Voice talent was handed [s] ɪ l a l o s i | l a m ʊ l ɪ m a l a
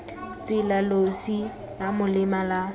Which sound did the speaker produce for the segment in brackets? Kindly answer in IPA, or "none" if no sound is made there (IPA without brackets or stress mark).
t͡s